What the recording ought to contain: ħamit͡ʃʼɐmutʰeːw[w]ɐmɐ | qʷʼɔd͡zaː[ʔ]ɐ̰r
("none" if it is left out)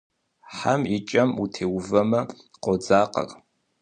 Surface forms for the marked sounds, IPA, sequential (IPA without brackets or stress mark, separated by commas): v, q